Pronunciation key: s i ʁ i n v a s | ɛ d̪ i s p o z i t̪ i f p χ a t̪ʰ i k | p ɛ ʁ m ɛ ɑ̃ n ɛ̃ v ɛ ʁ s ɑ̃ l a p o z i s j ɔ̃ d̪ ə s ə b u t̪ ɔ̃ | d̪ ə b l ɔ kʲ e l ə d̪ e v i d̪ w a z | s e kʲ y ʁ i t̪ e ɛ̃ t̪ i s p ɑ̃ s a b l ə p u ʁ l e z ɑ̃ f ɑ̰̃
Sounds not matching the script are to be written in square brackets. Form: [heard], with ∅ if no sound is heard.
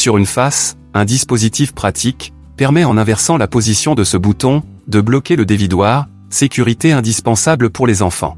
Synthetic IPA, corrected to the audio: s [y] ʁ [y] n [f] a s | [ɛ̃] d̪ i s p o z i t̪ i f p χ a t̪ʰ i k | p ɛ ʁ m ɛ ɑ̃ n ɛ̃ v ɛ ʁ s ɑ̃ l a p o z i s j ɔ̃ d̪ ə s ə b u t̪ ɔ̃ | d̪ ə b l ɔ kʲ e l ə d̪ e v i d̪ w a [ʁ] | s e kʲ y ʁ i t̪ e ɛ̃ [d̪] i s p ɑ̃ s a b l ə p u ʁ l e z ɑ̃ f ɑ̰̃